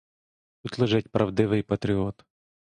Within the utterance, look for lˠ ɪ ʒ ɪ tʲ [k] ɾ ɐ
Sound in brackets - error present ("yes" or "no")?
yes